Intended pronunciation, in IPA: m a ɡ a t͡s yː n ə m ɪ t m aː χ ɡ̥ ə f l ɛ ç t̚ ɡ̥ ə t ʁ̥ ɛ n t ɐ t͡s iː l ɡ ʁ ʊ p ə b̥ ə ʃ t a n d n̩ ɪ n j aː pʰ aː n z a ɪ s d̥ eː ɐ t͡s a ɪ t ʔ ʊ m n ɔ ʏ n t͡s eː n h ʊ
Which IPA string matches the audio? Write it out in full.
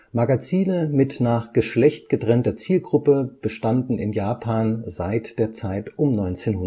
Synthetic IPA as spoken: m a ɡ a t͡s iː n ə m ɪ t n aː χ ɡ̥ ə ʃ l ɛ ç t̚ ɡ̥ ə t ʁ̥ ɛ n t ɐ t͡s iː l ɡ ʁ ʊ p ə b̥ ə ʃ t a n d n̩ ɪ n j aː pʰ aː n z a ɪ t d̥ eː ɐ t͡s a ɪ t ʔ ʊ m n ɔ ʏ n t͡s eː n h ʊ